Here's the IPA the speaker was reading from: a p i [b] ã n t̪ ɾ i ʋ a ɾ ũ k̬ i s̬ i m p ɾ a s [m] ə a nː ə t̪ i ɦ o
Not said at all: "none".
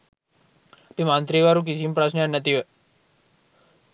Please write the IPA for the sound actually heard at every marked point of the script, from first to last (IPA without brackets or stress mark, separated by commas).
m, n